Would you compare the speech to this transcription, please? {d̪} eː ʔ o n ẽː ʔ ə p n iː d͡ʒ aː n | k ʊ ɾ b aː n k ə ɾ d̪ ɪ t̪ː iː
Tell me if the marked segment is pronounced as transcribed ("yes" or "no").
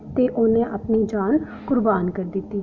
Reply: no